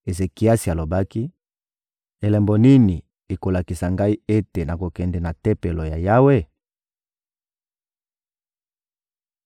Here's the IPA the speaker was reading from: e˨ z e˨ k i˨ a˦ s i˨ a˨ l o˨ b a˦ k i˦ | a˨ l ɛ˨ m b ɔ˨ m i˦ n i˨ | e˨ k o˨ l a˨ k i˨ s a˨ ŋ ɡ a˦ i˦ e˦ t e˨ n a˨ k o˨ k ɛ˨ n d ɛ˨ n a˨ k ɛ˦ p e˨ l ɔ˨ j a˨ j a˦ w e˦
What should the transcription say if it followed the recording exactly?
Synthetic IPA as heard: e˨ z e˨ k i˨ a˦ s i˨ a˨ l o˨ b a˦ k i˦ | e˨ l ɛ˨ m b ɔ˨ n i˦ n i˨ | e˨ k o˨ l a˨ k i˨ s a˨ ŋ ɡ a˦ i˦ e˦ t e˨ n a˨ k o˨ k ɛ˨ n d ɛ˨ n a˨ t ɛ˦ p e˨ l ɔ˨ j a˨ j a˦ w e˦

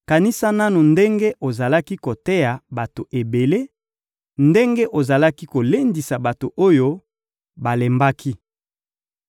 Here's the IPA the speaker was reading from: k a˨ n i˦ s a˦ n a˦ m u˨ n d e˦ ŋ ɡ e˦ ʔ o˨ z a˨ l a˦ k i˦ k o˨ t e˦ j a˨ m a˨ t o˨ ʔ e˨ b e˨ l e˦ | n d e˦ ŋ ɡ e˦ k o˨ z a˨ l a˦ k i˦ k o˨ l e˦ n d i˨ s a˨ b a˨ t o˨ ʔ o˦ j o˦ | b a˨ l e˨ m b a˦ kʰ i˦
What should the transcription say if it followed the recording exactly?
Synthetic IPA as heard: k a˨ n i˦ s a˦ n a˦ n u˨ n d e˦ ŋ ɡ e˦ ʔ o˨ z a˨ l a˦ k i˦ k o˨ t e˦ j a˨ b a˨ t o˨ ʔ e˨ b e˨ l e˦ | n d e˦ ŋ ɡ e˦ ʔ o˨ z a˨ l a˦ k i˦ k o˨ l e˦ n d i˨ s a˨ b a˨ t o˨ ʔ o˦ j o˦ | b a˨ l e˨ m b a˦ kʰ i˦

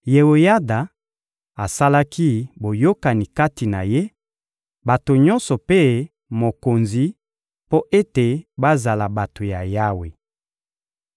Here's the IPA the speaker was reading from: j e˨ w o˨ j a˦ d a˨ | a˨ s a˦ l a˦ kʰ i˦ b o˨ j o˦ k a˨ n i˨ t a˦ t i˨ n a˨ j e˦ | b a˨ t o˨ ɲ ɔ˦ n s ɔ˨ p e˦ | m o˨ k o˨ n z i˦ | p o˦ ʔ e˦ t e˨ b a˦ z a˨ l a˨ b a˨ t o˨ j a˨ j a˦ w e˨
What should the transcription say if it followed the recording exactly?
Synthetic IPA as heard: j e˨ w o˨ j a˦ d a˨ | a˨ s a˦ l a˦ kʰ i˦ b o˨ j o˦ k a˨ n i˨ k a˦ t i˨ n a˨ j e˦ | b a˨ t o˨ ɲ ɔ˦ n s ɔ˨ p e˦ | m o˨ k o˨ n z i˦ | p o˦ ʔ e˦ t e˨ b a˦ z a˨ l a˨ b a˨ t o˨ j a˨ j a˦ w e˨

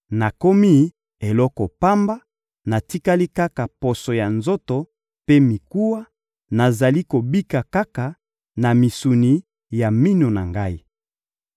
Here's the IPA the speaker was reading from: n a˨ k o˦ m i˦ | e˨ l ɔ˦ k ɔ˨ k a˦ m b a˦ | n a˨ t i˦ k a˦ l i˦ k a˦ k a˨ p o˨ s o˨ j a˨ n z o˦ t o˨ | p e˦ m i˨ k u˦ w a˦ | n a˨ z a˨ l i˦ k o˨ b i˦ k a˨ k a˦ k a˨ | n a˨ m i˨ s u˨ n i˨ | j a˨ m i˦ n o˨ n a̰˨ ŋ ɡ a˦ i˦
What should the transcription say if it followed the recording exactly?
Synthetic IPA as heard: n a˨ k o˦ m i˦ | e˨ l ɔ˦ k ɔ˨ p a˦ m b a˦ | n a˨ t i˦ k a˦ l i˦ k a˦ k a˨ p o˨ s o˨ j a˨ n z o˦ t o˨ | p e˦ m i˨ k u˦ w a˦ | n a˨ z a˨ l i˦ k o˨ b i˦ k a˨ k a˦ k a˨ | n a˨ m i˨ s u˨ n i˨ | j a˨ m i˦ n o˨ n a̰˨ ŋ ɡ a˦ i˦

